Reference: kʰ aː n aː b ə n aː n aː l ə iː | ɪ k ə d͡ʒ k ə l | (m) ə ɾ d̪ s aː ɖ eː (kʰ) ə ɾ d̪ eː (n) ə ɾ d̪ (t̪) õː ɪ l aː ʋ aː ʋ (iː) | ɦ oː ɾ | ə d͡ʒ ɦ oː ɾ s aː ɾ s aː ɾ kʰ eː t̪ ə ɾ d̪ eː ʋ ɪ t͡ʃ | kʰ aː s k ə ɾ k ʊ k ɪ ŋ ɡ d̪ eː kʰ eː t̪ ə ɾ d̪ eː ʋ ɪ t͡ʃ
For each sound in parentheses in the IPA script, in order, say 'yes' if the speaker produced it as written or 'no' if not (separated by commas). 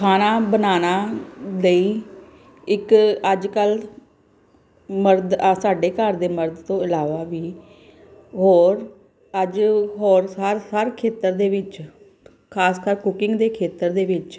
yes, no, no, yes, yes